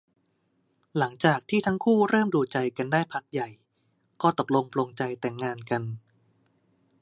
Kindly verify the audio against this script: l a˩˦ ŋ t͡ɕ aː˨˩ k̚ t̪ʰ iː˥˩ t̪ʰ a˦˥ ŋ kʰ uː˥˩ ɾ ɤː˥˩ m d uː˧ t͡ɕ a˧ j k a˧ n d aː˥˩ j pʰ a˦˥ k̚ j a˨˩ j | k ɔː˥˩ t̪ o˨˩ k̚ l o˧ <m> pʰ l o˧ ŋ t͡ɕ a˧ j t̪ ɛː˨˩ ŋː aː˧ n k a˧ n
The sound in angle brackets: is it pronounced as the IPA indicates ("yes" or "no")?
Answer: no